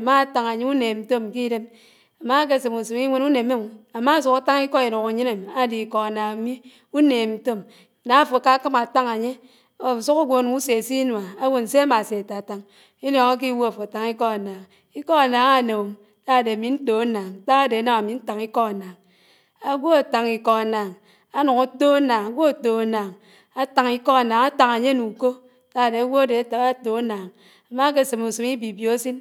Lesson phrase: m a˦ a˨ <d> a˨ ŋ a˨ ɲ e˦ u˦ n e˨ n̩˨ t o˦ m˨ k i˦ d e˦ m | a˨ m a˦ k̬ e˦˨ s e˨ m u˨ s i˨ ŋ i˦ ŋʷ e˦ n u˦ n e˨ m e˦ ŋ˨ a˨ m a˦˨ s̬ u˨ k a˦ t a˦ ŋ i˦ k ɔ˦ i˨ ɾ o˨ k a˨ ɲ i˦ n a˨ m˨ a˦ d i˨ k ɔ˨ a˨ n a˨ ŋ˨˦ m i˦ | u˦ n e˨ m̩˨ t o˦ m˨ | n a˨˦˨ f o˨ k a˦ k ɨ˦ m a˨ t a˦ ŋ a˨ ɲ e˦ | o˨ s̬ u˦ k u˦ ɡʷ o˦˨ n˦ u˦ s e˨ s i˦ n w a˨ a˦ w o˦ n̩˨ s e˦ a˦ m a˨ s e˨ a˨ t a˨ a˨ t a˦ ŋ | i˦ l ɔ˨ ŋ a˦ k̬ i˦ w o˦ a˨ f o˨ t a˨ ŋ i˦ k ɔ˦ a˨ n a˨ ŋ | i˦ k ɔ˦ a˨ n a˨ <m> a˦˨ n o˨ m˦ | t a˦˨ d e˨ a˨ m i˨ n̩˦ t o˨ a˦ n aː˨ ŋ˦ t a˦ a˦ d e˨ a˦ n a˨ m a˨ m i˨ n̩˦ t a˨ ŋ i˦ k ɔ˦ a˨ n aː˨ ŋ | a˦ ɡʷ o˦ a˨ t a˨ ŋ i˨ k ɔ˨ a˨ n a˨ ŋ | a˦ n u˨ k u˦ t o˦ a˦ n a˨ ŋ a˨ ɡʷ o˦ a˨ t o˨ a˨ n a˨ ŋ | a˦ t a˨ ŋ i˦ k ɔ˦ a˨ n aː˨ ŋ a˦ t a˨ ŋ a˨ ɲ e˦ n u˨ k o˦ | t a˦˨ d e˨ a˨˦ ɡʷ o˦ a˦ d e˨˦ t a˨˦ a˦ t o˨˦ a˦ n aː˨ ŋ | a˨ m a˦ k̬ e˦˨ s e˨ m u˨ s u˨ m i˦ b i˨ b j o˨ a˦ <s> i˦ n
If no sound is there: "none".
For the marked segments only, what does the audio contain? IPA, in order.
t, ŋ, s

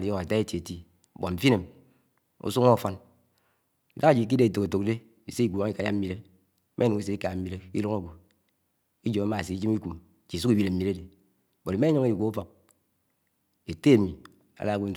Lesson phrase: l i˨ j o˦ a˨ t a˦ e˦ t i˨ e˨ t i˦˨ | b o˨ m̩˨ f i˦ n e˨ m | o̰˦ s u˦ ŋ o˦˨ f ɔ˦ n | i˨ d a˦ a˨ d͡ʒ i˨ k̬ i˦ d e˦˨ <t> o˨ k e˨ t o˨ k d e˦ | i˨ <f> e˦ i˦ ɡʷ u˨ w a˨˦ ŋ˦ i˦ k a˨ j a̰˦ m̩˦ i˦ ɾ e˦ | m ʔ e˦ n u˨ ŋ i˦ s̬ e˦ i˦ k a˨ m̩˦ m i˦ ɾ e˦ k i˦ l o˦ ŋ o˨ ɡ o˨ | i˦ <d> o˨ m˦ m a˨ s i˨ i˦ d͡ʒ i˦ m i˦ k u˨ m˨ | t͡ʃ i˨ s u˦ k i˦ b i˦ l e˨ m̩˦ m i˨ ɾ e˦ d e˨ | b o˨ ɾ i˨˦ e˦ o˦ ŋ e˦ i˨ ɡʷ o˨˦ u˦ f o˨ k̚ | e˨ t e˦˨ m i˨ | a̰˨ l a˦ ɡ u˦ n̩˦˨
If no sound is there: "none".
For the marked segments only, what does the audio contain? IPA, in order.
t, s, d͡ʒ

